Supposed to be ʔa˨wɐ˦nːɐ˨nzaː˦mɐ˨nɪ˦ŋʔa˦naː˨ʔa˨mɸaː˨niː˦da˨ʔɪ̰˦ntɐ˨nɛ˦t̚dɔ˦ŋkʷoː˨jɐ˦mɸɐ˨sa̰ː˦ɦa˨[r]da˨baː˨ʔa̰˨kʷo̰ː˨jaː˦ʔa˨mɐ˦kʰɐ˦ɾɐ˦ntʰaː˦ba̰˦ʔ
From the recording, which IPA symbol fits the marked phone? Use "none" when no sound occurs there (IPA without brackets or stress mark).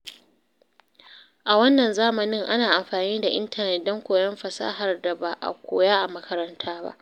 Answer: r